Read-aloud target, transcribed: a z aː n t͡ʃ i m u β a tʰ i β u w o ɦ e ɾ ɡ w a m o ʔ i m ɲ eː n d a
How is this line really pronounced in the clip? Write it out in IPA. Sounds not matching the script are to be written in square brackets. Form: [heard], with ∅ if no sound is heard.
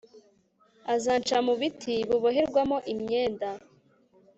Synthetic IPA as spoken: a z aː n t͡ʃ [a] m u β [i] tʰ i β u [β] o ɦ e ɾ ɡ w a m o ʔ i m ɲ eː n d a